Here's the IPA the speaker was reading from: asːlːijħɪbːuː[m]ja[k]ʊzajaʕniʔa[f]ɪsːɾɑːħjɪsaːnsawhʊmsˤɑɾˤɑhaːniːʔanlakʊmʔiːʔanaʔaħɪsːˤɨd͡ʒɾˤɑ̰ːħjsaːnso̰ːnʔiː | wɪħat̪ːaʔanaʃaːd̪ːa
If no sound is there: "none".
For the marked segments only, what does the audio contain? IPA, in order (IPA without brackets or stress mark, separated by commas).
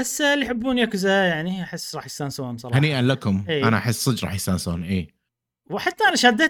n, k, ħ